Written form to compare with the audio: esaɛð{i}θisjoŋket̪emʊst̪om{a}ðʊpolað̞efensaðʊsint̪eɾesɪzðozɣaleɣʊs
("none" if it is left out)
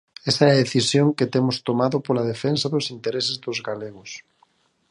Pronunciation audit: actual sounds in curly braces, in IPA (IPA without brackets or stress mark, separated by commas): e, a